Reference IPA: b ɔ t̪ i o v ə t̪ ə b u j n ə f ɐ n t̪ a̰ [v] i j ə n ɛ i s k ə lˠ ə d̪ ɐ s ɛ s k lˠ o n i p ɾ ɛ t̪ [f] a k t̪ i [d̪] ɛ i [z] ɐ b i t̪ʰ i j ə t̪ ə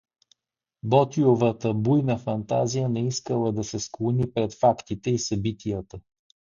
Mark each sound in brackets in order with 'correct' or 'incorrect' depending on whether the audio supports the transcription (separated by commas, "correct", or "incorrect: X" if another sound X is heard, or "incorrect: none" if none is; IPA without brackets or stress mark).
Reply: incorrect: z, correct, incorrect: t̪, incorrect: s